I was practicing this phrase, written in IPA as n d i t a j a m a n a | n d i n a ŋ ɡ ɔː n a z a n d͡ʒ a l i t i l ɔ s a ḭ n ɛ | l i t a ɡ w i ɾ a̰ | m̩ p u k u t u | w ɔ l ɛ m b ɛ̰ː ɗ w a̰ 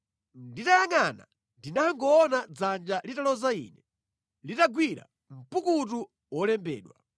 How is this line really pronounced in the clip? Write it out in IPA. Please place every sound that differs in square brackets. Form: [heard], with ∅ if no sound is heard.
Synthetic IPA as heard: n d i t a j a [ŋ] a n a | n d i n a ŋ ɡ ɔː n a [d͡z] a n d͡ʒ a l i t [a] l ɔ [z] a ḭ n ɛ | l i t a ɡ w i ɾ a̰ | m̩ p u k u t u | w ɔ l ɛ m b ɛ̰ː ɗ w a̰